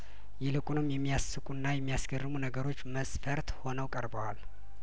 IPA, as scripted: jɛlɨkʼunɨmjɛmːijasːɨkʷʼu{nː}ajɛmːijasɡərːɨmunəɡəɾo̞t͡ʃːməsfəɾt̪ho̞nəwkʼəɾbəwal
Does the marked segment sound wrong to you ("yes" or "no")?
no